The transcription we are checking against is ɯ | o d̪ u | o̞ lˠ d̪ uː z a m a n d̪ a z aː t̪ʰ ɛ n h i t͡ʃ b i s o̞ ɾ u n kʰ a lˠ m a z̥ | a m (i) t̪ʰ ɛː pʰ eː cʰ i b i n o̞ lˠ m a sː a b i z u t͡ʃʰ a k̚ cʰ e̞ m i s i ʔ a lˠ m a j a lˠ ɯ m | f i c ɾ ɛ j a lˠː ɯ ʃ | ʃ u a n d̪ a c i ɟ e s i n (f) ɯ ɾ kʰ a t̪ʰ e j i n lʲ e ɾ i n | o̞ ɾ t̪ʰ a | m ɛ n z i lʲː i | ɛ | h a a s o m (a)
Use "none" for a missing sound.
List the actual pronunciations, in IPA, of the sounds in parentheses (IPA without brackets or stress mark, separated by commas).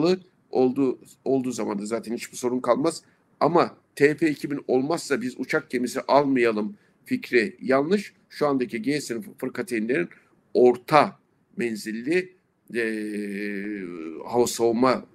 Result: a, f, a